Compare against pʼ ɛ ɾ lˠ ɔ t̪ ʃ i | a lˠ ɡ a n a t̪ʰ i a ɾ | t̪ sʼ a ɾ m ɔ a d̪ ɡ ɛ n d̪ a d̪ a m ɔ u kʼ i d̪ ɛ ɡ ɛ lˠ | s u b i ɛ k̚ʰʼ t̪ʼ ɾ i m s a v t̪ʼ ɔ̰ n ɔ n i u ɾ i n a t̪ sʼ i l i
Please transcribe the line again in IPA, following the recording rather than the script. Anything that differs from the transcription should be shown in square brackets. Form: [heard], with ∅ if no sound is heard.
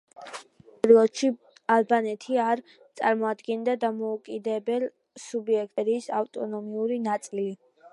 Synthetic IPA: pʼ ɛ ɾ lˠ ɔ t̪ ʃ i | a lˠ [b] a n [ɛ] t̪ʰ i a ɾ | t̪ sʼ a ɾ m ɔ a d̪ ɡ ɛ n d̪ a d̪ a m ɔ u kʼ i d̪ ɛ [b] ɛ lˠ | s u b i ɛ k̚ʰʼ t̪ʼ ɾ i [∅] s a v t̪ʼ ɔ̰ n ɔ [m] i u ɾ i n a t̪ sʼ i l i